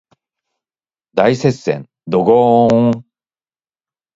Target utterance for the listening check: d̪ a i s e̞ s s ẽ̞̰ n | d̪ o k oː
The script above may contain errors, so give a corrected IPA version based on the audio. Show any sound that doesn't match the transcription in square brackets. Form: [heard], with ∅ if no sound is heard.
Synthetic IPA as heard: d̪ a i s e̞ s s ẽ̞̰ n | d̪ o [ɡ] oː